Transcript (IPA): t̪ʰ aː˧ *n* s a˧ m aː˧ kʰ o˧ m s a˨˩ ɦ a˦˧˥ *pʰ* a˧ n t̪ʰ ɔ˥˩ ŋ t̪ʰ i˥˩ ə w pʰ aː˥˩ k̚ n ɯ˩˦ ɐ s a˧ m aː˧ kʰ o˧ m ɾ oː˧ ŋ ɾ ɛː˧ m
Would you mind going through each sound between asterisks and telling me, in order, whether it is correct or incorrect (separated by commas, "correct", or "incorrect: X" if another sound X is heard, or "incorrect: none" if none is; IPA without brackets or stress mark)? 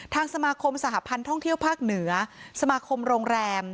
incorrect: ŋ, correct